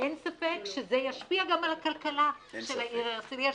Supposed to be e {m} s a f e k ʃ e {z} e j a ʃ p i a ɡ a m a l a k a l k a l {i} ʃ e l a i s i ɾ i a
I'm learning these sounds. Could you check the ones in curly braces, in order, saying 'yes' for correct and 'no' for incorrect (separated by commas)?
no, yes, no